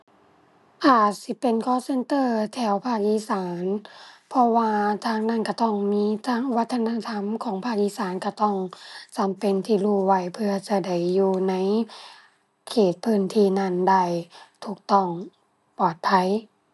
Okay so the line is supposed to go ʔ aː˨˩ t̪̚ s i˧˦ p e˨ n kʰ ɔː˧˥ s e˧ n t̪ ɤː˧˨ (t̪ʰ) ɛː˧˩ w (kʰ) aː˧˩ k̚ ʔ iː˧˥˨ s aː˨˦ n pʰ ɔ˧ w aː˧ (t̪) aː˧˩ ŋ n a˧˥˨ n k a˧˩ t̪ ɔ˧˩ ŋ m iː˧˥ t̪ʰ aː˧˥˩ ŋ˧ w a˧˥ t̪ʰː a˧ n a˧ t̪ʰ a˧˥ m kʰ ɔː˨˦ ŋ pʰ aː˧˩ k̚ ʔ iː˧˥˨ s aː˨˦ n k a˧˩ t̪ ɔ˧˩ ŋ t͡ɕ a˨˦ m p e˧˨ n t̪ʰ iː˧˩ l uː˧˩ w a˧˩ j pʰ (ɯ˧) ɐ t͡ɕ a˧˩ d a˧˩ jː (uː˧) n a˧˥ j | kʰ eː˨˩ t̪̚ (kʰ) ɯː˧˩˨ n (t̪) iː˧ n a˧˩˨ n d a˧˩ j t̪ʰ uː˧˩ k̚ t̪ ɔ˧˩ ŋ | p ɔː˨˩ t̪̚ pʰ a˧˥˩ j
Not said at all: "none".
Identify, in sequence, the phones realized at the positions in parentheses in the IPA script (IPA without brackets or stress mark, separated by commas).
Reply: t̪ʰ, pʰ, t̪ʰ, ɯ˧, uː˧, pʰ, t̪ʰ